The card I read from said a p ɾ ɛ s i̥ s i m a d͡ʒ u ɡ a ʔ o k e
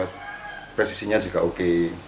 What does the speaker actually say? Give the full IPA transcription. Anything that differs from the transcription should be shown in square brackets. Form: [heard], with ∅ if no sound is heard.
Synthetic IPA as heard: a p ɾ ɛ s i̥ s i [ɲ] a d͡ʒ u ɡ a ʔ o k e